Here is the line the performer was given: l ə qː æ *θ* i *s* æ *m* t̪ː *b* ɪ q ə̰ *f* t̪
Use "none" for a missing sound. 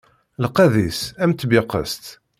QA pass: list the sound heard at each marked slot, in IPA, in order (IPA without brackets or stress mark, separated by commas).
ð, s, m, b, s